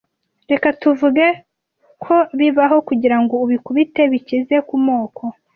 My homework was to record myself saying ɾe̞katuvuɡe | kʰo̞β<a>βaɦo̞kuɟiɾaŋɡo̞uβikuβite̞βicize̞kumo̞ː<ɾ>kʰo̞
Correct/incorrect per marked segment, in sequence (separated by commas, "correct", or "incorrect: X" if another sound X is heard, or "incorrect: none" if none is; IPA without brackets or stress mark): incorrect: i, incorrect: none